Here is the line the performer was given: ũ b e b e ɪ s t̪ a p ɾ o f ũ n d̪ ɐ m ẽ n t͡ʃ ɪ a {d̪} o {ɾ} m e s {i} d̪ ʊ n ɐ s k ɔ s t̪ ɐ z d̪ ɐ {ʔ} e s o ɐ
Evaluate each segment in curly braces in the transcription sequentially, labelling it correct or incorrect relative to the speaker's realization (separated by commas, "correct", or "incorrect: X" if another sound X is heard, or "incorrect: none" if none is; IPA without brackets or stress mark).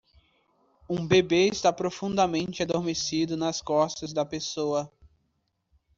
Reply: correct, correct, correct, incorrect: p